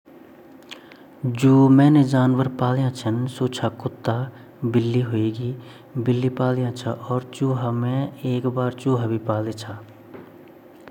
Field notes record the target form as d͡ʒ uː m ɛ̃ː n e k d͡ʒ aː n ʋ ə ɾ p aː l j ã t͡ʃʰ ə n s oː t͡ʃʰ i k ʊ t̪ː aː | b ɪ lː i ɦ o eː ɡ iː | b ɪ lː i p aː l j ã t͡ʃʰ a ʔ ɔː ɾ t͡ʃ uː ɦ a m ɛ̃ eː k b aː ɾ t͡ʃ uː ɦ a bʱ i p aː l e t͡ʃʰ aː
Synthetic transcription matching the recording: d͡ʒ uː m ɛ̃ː n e d͡ʒ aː n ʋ ə ɾ p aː l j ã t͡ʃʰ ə n s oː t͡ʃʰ a k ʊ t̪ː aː | b ɪ lː i ɦ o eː ɡ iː | b ɪ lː i p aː l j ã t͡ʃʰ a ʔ ɔː ɾ t͡ʃ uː ɦ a m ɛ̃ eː k b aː ɾ t͡ʃ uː ɦ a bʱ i p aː l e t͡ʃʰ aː